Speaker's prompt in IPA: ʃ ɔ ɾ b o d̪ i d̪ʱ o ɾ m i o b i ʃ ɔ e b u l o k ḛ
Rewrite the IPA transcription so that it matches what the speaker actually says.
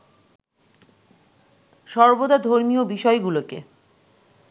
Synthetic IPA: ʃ ɔ ɾ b o d̪ a d̪ʱ o ɾ m i o b i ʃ ɔ e ɡ u l o k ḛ